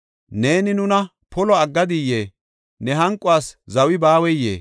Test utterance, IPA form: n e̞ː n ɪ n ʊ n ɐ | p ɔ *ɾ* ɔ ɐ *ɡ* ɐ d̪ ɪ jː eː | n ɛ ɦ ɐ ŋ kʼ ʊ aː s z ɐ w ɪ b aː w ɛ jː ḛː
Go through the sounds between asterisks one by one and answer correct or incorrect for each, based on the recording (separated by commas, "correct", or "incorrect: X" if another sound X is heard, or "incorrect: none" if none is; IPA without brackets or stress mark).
incorrect: l, incorrect: ɡː